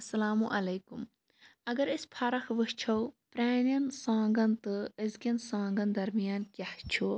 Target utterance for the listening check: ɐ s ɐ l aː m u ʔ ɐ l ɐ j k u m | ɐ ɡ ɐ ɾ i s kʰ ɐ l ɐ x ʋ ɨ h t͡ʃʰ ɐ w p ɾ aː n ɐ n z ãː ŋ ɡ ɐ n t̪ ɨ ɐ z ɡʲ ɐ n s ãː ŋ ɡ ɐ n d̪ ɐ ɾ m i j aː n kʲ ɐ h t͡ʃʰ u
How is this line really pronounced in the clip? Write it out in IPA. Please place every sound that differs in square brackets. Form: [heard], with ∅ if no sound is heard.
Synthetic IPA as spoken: ɐ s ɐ l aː m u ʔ ɐ l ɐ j k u m | ɐ ɡ ɐ ɾ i s [pʰ] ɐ [ɾ] ɐ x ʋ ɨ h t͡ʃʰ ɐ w p ɾ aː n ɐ n [s] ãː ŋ ɡ ɐ n t̪ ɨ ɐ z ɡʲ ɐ n s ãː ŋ ɡ ɐ n d̪ ɐ ɾ m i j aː n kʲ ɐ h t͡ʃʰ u